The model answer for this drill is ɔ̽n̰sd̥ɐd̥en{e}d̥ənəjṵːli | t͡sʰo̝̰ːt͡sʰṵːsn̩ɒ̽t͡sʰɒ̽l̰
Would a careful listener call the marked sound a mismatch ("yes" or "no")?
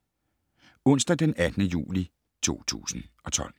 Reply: yes